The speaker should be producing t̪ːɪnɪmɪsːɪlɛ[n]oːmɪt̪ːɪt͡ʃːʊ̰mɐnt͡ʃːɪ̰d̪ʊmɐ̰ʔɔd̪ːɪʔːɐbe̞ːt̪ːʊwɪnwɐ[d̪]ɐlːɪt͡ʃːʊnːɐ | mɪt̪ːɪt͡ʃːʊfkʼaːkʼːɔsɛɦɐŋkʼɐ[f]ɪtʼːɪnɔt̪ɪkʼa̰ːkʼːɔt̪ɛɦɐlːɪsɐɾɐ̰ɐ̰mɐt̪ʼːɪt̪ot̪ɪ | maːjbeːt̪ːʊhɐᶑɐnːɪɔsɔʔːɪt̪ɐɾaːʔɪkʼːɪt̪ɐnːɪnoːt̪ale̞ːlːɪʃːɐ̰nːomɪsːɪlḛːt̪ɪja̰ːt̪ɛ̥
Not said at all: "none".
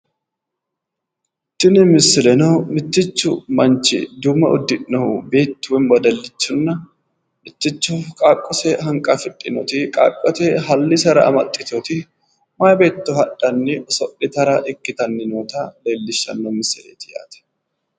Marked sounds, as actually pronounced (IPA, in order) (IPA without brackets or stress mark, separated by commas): n, d̪, f